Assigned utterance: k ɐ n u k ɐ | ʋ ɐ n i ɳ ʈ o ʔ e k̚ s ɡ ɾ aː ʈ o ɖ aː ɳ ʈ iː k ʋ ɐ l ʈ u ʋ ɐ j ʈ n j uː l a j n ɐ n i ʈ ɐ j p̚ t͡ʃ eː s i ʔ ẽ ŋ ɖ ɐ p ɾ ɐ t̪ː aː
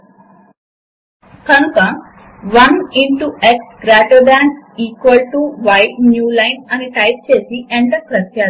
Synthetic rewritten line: k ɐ n u k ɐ | ʋ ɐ n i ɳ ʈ u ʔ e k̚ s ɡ ɾ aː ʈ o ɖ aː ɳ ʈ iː k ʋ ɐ l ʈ u ʋ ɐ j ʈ n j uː l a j n ɐ n i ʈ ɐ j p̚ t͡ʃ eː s i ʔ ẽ ɳ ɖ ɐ k ɾ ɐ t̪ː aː